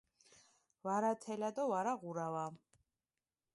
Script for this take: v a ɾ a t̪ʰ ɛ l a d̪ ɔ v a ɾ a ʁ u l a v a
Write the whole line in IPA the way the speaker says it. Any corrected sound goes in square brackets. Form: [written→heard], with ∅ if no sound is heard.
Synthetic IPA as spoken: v a ɾ a t̪ʰ ɛ l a d̪ ɔ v a ɾ a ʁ u [l→ɾ] a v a

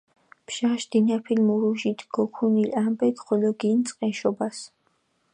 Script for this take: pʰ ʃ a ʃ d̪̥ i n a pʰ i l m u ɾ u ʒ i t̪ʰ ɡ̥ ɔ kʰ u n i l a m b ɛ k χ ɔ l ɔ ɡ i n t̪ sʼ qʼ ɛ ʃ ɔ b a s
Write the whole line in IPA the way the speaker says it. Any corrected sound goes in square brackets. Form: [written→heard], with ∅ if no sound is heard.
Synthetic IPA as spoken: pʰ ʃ a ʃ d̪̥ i n a pʰ i l m u ɾ u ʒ i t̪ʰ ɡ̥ ɔ kʰ u n i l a m b ɛ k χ ɔ l ɔ ɡ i n t̪ sʼ qʼ ɛ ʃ ɔ b a s

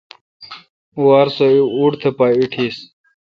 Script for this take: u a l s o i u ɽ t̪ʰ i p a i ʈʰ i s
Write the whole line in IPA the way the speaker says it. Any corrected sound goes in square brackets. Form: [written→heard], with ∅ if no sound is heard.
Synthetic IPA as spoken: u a [l→ɾ] s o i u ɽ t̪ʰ [i→e] p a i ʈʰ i s

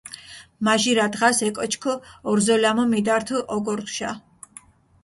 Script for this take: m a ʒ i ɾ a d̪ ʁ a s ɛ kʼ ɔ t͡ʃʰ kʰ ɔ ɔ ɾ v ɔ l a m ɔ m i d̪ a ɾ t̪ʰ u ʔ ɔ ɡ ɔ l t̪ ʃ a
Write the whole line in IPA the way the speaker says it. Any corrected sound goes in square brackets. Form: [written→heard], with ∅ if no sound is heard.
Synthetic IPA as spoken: m a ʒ i ɾ a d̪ ʁ a s ɛ kʼ ɔ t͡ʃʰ kʰ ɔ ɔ ɾ [v→z] ɔ l a m ɔ m i d̪ a ɾ t̪ʰ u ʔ ɔ ɡ ɔ [l→ɾ] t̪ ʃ a

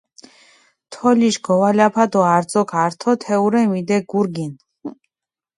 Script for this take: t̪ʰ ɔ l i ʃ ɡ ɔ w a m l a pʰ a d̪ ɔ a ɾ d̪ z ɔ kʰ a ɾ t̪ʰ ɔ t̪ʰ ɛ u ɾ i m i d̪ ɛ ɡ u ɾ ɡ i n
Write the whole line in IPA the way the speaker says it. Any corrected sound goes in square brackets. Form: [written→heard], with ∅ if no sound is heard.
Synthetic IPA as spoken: t̪ʰ ɔ l i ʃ ɡ ɔ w a [m→∅] l a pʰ a d̪ ɔ a ɾ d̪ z ɔ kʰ a ɾ t̪ʰ ɔ t̪ʰ ɛ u ɾ [i→ɛ] m i d̪ ɛ ɡ u ɾ ɡ i n

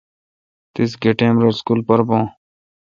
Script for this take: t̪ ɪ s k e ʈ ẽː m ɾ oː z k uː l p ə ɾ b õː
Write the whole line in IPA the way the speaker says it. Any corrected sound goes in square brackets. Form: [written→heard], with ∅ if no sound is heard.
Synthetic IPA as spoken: t̪ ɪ s [k→ɡ] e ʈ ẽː m ɾ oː [z→s] k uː l p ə ɾ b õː

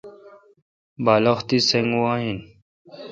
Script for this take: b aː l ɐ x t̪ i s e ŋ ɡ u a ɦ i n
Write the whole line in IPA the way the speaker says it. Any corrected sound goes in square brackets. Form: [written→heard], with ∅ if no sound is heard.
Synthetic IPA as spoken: b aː l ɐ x t̪ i s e ŋ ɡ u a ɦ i n

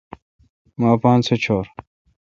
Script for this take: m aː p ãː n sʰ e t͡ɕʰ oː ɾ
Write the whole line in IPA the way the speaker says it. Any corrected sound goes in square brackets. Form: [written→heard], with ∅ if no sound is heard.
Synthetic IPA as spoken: m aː p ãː n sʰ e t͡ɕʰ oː ɾ

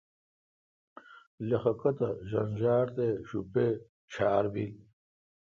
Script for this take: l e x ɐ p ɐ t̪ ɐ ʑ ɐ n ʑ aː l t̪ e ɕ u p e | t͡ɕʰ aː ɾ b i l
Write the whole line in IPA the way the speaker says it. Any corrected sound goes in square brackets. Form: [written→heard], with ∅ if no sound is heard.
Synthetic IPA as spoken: l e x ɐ [p→k] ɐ t̪ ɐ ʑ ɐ n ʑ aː [l→ɾ] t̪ e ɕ u p e | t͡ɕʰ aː ɾ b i l

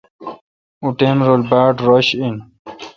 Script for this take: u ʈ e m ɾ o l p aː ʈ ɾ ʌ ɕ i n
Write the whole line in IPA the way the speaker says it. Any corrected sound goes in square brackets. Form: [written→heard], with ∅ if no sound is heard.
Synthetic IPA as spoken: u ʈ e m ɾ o l [p→b] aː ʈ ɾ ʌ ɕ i n

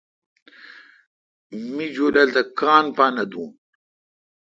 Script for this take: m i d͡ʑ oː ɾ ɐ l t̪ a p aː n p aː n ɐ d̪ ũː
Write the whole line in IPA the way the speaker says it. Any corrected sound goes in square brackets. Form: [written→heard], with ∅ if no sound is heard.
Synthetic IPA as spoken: m i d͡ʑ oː [ɾ→l] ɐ l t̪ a [p→k] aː n p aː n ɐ d̪ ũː

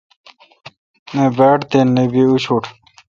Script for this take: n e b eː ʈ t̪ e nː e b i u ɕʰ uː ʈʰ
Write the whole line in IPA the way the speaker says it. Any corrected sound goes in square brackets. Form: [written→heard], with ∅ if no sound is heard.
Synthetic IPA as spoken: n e b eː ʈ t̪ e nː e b i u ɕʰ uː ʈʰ

